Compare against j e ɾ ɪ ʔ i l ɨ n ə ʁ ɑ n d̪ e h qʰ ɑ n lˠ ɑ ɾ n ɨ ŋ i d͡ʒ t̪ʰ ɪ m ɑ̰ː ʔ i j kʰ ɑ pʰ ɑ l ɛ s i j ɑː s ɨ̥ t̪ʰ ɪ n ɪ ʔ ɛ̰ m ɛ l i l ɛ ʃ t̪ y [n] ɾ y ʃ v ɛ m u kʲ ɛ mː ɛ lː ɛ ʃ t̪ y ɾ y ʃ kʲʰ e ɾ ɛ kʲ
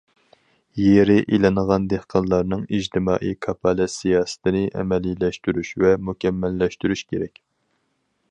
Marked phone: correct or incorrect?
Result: incorrect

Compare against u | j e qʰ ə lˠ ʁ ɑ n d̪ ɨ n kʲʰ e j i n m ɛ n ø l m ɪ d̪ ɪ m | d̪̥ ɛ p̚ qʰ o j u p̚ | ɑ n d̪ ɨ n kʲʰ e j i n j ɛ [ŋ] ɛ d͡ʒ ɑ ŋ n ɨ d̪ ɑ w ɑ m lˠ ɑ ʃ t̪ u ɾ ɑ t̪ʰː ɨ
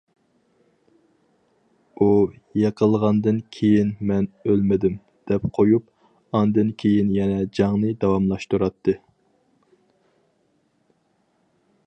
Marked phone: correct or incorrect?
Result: incorrect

